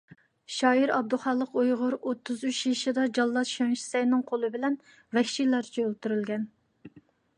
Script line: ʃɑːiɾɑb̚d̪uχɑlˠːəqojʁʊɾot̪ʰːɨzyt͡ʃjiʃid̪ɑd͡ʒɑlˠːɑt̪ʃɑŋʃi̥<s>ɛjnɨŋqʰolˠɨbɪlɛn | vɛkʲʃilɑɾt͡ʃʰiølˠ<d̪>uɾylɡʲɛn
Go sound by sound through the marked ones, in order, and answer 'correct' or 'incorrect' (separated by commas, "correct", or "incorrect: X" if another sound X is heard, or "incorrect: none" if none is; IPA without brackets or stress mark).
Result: correct, incorrect: t̪